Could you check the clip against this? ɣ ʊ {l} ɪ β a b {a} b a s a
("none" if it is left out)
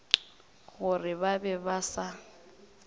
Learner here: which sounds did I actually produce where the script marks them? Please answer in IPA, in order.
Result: r, ɛ

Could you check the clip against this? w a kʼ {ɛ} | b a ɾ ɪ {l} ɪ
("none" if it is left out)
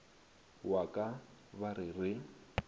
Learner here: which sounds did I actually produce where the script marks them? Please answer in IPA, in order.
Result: a, r

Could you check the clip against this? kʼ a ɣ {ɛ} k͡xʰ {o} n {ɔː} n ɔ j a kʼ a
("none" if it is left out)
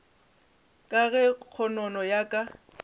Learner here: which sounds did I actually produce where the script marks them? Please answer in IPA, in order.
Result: ɛ, ɔ, ɔ

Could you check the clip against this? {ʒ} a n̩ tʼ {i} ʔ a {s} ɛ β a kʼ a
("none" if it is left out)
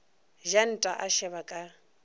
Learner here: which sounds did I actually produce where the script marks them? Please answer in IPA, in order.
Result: ʒ, a, ʃ

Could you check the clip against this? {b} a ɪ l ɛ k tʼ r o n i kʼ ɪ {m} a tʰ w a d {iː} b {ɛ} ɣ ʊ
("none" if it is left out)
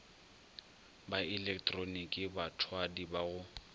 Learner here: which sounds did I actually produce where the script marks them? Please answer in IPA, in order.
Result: b, b, i, a

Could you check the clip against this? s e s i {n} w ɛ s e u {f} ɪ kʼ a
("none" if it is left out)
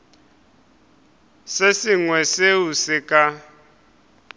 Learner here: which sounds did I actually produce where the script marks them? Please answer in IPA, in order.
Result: ŋ, s

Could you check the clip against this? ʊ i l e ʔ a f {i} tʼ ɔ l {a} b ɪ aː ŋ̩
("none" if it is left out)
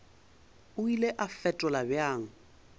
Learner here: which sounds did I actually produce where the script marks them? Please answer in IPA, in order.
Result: ɛ, a

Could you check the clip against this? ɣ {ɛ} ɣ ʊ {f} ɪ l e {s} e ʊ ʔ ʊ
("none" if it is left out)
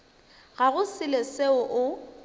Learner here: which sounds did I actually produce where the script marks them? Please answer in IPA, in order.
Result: a, s, s

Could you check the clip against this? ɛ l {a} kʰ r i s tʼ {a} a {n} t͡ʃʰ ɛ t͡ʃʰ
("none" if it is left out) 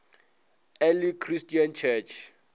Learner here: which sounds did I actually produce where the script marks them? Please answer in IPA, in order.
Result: i, i, n

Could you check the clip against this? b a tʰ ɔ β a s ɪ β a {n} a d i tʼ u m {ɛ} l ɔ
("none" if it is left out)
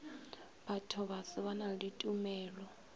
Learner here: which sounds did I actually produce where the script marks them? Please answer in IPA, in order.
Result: n, ɛː

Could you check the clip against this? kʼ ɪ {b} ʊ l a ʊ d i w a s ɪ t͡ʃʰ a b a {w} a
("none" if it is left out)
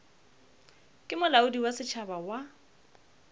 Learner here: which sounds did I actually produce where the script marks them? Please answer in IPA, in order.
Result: m, w

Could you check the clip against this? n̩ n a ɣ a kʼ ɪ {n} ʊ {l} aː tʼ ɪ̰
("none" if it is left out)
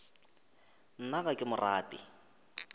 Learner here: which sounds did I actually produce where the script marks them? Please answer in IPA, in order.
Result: m, r

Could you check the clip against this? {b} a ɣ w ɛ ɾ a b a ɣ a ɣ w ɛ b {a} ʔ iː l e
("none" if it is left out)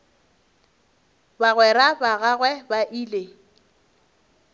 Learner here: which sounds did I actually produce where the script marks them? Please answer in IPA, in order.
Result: b, a

